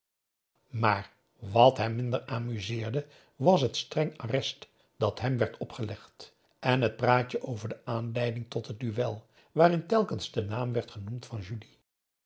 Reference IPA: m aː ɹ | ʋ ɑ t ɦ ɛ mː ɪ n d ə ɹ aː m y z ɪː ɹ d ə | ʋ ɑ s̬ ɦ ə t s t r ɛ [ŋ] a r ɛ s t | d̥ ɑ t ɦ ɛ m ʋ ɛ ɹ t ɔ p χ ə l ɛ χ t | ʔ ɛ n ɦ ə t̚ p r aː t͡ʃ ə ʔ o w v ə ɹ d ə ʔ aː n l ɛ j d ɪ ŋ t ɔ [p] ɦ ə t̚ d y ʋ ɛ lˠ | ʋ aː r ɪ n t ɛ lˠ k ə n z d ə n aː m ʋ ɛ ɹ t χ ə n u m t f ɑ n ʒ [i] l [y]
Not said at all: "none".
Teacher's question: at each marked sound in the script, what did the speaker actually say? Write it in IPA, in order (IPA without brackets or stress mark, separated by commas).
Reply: ŋ, t, y, i